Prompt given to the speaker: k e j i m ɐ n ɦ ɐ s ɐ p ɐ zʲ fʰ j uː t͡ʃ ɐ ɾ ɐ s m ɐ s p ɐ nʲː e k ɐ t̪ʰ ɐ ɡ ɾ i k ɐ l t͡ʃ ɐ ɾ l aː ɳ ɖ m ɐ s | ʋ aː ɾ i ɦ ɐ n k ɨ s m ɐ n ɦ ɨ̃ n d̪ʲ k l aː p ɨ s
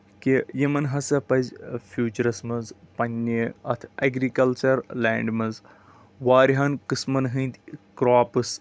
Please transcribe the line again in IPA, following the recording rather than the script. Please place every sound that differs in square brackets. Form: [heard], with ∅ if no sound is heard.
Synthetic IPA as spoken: k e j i m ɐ n ɦ ɐ s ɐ p ɐ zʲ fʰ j uː t͡ʃ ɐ ɾ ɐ s m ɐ [z] p ɐ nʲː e [∅] ɐ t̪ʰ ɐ ɡ ɾ i k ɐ l t͡ʃ ɐ ɾ l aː ɳ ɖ m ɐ [z] | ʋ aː ɾ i ɦ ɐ n k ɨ s m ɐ n ɦ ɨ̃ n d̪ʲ k [ɾ] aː p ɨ s